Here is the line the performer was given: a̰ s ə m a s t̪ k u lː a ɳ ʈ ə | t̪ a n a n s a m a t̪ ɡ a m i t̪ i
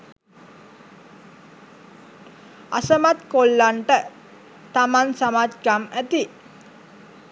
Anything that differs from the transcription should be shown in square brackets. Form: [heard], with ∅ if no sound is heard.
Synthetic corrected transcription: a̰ s ə m a [∅] t̪ k [o] lː a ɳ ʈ ə | t̪ a [m] a n s a m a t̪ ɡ a m [æ] t̪ i